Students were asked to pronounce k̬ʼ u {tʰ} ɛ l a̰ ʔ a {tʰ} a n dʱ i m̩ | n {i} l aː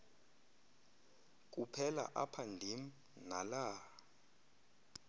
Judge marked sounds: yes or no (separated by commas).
no, no, no